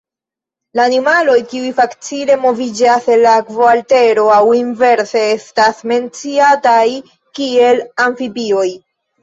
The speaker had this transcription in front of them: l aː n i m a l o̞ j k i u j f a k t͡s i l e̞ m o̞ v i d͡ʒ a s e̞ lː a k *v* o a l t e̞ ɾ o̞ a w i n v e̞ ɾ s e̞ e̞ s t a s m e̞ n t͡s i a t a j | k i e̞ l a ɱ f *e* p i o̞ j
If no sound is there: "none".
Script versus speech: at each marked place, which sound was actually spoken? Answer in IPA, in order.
v, i

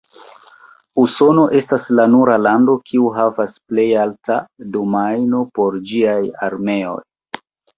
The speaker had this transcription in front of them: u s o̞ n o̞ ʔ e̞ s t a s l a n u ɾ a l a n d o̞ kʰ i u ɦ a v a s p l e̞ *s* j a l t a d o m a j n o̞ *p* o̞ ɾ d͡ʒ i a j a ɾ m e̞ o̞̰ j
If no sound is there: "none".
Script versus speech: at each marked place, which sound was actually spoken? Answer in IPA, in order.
none, p

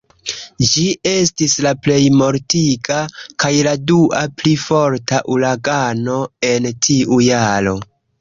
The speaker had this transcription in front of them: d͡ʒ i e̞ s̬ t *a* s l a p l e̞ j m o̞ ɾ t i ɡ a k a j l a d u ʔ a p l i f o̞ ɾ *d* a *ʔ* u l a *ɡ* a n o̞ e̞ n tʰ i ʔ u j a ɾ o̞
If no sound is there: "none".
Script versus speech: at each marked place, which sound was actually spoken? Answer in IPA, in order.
i, t, ʔ, ɡ

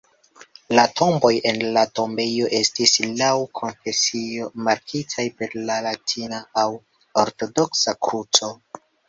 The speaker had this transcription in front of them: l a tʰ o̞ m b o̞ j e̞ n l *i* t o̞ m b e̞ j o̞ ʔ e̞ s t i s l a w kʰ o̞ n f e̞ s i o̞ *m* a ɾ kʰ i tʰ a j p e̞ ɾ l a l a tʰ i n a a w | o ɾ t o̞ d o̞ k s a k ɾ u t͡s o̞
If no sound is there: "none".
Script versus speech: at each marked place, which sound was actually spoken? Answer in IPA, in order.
a, m

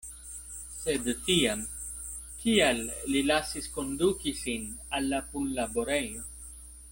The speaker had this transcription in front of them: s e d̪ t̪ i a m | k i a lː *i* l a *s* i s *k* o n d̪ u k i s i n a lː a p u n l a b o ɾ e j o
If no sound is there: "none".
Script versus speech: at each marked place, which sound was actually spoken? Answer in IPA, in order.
i, s, k

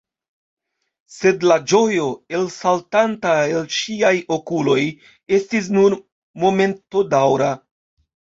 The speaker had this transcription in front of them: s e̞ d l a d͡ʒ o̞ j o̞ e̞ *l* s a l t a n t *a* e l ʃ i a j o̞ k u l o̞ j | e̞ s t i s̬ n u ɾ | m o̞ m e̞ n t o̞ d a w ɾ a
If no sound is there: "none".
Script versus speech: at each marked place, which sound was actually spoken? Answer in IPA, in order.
l, a

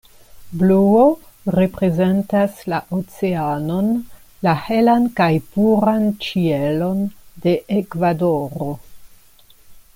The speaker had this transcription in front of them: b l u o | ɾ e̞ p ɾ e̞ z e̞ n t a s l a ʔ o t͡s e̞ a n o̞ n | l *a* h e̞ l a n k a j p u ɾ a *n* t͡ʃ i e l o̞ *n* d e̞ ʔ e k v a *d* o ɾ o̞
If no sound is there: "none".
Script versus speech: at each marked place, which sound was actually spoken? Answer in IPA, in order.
a, n, n, d

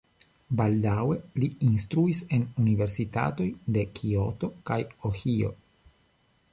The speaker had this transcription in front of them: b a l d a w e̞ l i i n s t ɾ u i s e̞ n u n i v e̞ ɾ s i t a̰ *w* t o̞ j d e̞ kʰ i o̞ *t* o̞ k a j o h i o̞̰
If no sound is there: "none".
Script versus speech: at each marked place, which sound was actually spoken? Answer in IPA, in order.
none, t

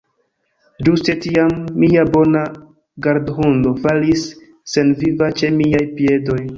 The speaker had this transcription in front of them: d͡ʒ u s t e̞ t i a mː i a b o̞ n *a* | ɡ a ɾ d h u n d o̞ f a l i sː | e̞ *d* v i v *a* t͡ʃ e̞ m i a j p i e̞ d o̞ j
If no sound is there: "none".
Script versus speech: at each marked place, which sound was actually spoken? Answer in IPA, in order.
a, n, a

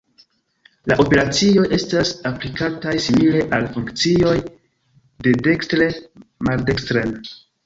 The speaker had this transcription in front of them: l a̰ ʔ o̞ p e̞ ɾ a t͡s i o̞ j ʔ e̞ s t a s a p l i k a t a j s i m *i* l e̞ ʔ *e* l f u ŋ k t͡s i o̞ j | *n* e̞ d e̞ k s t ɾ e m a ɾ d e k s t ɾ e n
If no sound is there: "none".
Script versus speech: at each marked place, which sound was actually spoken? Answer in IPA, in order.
i, a, d

